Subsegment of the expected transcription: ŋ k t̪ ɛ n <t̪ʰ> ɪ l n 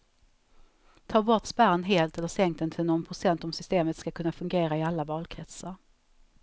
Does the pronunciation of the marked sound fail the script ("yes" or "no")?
no